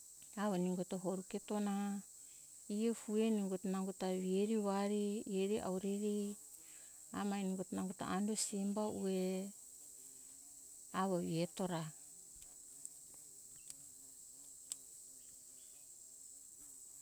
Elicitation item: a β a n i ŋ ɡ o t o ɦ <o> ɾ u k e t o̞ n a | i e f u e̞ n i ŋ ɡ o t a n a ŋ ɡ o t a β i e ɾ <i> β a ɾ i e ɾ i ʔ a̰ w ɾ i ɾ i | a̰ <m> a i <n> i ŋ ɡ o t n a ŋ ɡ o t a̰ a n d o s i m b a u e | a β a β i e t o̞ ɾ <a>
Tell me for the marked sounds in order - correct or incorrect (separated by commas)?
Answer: correct, correct, correct, correct, correct